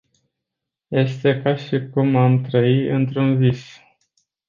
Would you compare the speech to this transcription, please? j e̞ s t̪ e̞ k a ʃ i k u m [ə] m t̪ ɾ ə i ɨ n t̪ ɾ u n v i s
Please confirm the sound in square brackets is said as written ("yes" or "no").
no